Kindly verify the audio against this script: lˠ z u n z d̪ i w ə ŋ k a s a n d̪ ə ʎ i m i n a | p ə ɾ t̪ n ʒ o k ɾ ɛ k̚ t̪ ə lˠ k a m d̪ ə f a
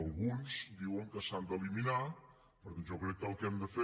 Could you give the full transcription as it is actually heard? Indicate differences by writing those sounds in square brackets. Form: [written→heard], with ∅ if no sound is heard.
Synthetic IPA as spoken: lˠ [z→ɣ] u n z d̪ i w ə ŋ k [a→ə] s a n d̪ ə [ʎ→l] i m i n a | p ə ɾ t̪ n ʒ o k ɾ ɛ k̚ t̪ ə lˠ k [a→ɛ] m d̪ ə f [a→e]

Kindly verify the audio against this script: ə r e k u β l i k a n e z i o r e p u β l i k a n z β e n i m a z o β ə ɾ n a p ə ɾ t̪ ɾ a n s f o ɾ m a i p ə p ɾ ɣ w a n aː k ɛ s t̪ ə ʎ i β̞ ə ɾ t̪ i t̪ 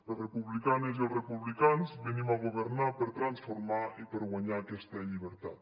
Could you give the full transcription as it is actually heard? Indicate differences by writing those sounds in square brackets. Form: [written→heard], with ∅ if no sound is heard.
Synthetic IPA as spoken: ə r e [k→p] u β l i k a n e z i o r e p u β l i k a n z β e n i m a [z→ɣ] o β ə ɾ n a p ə ɾ t̪ ɾ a n s f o ɾ m a i p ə [p→∅] ɾ ɣ w a [n→ɲ] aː k ɛ s t̪ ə ʎ i β̞ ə ɾ t̪ [i→a] t̪

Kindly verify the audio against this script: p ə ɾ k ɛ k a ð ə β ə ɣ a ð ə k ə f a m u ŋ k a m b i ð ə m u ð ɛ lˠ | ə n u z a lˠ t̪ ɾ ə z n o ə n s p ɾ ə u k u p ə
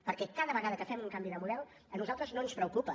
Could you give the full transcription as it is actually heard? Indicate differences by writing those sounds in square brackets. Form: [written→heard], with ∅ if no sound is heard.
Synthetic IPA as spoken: p ə ɾ k ɛ k a ð ə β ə ɣ a ð ə k ə f [a→ɛ] m u ŋ k a m b i ð ə m u ð ɛ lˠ | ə n u z a lˠ t̪ ɾ ə z n o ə n s p ɾ ə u k u p ə

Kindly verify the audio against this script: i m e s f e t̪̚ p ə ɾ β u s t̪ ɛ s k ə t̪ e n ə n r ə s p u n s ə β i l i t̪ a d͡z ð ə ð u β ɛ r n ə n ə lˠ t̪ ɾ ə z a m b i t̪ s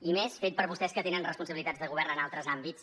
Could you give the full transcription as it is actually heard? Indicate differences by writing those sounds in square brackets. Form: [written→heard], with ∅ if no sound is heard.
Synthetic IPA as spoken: i m e s f e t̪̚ p ə ɾ β u s t̪ ɛ s k ə t̪ e n ə n r ə s p u n s ə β i l i t̪ a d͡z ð ə [ð→ɣ] u β ɛ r n ə n [ə→a] lˠ t̪ ɾ ə z a m b i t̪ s

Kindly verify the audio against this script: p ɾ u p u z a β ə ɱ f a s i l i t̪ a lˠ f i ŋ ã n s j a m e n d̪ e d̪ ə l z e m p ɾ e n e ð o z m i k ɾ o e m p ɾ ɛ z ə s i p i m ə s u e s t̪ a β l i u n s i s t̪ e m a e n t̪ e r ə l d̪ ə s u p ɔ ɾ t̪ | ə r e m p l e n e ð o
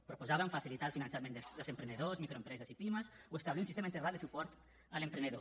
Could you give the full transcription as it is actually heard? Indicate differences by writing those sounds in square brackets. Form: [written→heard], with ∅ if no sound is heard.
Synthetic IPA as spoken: p ɾ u p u z a β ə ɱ f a s i l i t̪ a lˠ f i [ŋ→n] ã n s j a m e n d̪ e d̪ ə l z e m p ɾ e n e ð o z m i k ɾ o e m p ɾ ɛ z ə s i p i m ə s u e s t̪ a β l i u n s i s t̪ e m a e n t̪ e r [ə→a] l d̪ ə s u p ɔ ɾ t̪ | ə [r→l] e m p [l→ɾ] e n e ð o

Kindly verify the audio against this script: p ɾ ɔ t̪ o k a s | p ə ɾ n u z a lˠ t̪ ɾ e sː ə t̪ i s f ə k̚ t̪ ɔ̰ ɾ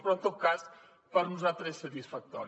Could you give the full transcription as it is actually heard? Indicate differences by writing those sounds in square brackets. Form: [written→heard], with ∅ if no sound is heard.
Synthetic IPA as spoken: p ɾ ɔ t̪ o k a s | p ə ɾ n u z a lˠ t̪ ɾ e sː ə t̪ i s f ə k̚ t̪ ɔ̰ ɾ

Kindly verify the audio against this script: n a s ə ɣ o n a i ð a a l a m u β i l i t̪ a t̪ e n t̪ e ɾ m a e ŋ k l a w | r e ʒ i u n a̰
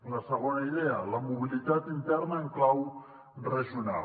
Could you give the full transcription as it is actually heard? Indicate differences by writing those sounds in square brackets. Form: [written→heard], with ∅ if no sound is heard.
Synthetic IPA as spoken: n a s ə ɣ o n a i ð [a→e] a l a m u β i l i t̪ a t̪ [e→i] n t̪ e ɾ [m→n] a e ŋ k l a w | r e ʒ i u n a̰

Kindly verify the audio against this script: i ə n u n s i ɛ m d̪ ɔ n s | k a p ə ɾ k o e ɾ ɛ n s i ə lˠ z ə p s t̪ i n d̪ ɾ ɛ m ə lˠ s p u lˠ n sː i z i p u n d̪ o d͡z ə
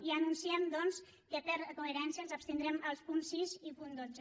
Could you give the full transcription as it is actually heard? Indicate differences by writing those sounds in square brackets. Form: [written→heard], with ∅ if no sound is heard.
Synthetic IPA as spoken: i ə n u n s i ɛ m d̪ ɔ n s | k [a→ə] p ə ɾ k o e ɾ ɛ n s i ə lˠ z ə p s t̪ i n d̪ ɾ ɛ m ə lˠ s p u [lˠ→∅] n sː i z i p u n d̪ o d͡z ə

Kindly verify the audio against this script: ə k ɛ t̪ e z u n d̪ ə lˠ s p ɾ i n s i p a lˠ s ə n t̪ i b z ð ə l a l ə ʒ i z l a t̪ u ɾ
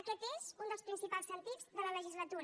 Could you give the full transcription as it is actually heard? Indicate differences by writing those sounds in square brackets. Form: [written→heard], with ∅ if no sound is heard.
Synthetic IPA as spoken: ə k ɛ t̪ e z u n d̪ ə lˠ s p ɾ i n s i p a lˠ s ə n t̪ i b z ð ə l [a→ə] l ə ʒ i z l [a→ə] t̪ u ɾ

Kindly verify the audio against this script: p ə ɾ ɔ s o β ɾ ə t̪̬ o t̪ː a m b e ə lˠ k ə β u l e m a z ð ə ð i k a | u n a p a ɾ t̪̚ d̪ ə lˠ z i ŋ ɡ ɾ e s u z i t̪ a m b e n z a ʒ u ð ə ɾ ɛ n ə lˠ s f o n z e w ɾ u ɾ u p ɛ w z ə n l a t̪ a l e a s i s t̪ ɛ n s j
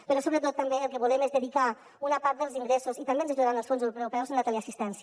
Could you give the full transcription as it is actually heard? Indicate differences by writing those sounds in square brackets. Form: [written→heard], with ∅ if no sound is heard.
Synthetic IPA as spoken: p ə ɾ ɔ s o β ɾ ə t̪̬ o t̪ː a m b e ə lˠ k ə β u l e m [a→e] z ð ə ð i k a | u n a p a ɾ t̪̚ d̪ ə lˠ z i ŋ ɡ ɾ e s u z i t̪ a m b e n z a ʒ u ð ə ɾ [ɛ→a] n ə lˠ s f o n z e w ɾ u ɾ u p ɛ w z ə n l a t̪ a l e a s i s t̪ ɛ n s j

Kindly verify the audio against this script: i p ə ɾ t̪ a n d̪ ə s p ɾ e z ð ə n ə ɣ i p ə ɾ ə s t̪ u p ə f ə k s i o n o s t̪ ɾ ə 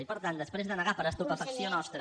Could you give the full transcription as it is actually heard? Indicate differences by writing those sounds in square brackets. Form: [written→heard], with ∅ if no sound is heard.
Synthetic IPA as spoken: i p ə ɾ t̪ a n d̪ ə s p ɾ e z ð ə n ə ɣ [i→a] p ə ɾ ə s t̪ u p ə f ə k s i o n [o→ɔ] s t̪ ɾ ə

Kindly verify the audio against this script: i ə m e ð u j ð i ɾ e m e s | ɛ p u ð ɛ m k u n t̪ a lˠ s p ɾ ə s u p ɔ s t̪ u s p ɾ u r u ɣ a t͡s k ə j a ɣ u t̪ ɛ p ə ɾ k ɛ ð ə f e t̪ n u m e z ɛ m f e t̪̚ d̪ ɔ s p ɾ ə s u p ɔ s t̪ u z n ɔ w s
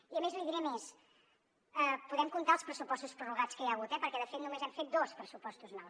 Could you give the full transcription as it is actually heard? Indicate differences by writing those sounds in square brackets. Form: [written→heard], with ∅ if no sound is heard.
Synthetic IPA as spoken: i ə m e [ð→z] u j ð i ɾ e m e s | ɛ p u ð ɛ m k u n t̪ a lˠ s p ɾ ə s u p ɔ s t̪ u s p ɾ u r u ɣ a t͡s k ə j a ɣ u t̪ ɛ p ə ɾ k ɛ ð ə f e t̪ n u m e z ɛ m f e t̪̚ d̪ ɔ s p ɾ ə s u p ɔ s t̪ u z n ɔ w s

